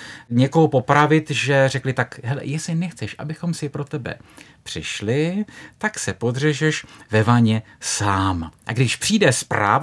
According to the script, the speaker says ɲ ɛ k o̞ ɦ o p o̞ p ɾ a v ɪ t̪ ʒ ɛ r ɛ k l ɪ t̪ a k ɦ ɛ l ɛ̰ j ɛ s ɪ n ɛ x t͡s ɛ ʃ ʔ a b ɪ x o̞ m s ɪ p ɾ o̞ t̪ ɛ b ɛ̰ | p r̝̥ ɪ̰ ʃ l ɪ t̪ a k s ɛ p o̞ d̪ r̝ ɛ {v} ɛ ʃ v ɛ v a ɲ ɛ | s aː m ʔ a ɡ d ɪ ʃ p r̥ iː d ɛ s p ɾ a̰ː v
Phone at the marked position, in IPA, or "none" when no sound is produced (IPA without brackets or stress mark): ʒ